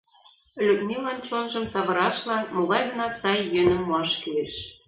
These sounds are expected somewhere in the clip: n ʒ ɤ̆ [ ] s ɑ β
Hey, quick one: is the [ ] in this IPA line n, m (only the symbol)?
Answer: m